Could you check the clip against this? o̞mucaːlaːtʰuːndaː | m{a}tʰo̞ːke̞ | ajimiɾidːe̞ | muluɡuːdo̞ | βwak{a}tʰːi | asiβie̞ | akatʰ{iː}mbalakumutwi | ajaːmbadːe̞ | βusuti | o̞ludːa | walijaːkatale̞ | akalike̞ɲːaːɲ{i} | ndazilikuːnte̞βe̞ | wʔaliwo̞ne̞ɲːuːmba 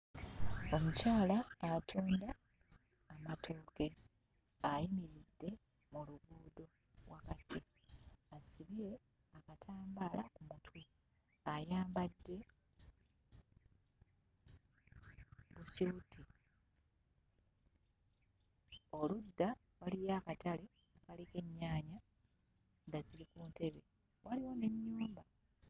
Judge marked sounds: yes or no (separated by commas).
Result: yes, yes, no, no